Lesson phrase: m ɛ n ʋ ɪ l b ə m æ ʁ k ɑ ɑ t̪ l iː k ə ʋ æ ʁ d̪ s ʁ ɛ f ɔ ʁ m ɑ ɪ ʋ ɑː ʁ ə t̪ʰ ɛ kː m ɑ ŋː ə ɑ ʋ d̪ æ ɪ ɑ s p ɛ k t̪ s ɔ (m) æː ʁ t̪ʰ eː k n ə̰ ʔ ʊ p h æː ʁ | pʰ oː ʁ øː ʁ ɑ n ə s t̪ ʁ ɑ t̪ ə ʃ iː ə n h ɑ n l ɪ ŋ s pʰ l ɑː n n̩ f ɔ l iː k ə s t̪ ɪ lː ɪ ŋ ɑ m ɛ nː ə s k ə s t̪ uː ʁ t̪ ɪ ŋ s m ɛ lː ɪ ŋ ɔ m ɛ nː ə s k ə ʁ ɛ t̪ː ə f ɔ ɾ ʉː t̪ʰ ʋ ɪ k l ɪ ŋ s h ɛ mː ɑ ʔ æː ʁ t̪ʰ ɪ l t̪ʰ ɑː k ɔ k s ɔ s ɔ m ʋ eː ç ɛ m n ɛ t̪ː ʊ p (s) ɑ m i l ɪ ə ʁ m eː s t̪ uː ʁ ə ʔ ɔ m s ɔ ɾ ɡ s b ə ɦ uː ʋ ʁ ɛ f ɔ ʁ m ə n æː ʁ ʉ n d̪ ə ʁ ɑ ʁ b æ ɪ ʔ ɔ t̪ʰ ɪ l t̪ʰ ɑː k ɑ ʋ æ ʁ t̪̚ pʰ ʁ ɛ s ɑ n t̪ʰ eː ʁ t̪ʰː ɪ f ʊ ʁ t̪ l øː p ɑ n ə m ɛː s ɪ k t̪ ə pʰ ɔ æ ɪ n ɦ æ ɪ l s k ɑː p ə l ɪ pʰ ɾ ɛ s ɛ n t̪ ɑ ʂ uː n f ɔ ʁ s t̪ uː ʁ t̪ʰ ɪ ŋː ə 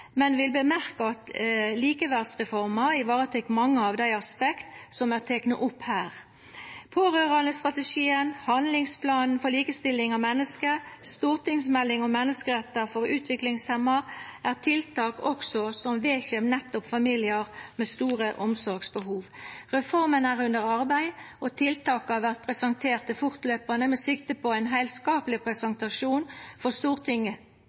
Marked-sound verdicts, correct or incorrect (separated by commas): correct, incorrect